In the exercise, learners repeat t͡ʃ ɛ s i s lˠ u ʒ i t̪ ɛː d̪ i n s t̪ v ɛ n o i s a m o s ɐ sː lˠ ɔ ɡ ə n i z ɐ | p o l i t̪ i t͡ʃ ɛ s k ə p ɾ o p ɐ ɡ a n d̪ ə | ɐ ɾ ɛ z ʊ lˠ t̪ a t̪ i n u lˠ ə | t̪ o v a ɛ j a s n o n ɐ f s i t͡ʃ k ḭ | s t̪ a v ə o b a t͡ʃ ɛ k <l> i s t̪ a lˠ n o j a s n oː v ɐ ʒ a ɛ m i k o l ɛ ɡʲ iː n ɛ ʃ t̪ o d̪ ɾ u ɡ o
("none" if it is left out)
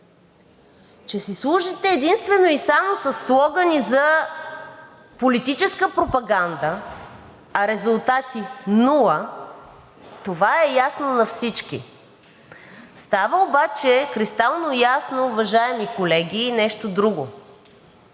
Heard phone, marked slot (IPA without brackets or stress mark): ɾ